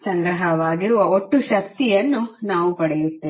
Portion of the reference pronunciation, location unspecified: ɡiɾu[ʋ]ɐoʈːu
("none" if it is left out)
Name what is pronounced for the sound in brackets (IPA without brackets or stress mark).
ʋ